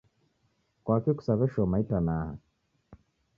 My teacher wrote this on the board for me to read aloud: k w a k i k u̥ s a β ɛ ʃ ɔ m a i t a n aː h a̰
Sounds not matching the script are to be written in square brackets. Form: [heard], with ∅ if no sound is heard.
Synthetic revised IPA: k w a k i k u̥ s a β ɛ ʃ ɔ m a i t a n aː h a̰